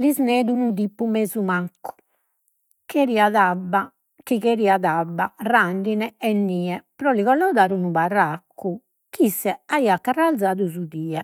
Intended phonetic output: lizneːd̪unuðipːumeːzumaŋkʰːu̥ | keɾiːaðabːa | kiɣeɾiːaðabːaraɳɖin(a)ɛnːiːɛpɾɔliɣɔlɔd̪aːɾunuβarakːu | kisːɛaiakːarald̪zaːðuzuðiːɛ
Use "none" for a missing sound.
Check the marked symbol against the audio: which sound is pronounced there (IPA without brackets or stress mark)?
ɛ